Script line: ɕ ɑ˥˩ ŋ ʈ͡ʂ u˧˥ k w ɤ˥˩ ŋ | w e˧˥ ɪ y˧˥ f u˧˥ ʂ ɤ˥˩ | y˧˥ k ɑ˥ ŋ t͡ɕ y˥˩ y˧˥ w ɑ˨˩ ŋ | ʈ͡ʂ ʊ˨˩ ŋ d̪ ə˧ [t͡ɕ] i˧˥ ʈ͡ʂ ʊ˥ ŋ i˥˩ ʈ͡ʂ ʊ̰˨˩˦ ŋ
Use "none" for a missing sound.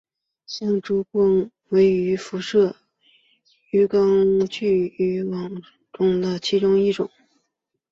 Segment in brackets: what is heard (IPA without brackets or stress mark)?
t͡ɕʰ